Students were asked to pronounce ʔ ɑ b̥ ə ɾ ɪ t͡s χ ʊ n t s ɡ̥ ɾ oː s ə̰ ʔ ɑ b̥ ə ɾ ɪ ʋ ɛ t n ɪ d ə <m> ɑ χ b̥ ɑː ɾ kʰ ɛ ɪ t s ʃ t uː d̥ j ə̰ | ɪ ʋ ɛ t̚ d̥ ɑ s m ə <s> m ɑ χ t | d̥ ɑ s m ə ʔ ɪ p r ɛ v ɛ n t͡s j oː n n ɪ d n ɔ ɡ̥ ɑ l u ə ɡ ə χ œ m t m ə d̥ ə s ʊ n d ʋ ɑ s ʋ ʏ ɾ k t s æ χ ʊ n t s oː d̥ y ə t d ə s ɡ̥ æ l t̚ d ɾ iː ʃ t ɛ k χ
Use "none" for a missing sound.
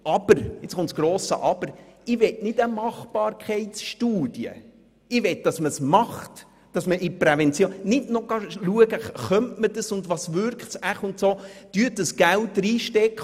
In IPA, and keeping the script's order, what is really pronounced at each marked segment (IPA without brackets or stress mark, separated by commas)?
m, s